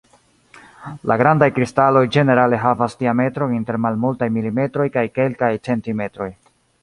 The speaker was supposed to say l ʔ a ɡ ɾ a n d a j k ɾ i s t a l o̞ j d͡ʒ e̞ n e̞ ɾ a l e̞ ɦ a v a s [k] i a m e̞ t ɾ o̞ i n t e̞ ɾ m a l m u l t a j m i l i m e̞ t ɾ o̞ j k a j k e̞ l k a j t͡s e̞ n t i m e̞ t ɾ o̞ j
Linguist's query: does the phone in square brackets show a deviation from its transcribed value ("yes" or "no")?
yes